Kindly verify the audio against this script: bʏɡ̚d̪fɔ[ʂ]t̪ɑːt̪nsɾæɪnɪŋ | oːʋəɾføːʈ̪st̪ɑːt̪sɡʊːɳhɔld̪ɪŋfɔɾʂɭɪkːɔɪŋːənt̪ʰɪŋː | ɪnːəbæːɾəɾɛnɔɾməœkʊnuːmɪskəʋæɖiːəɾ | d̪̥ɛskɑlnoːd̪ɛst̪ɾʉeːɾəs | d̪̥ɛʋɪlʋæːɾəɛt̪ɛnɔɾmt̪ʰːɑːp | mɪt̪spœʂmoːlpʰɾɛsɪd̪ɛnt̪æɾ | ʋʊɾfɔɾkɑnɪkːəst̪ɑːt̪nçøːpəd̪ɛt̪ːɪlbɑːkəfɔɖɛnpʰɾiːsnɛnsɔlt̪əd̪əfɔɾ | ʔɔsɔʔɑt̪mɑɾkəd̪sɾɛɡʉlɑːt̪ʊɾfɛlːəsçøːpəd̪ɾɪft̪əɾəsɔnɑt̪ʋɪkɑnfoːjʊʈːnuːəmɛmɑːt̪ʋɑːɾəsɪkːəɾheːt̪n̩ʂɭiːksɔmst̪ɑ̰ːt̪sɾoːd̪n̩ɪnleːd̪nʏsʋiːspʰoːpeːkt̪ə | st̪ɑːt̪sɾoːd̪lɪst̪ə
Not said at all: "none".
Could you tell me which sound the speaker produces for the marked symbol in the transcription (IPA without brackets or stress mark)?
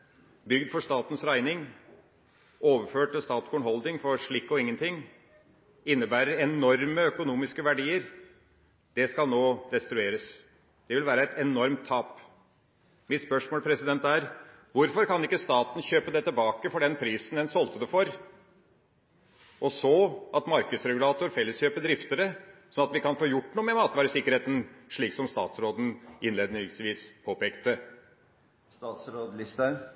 ʂ